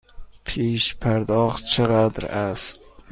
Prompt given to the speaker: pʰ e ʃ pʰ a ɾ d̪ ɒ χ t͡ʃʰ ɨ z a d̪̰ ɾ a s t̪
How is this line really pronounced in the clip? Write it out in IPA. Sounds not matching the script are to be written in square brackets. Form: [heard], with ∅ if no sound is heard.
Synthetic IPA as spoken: pʰ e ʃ pʰ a ɾ d̪ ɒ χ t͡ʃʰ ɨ [ʁ] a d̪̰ ɾ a s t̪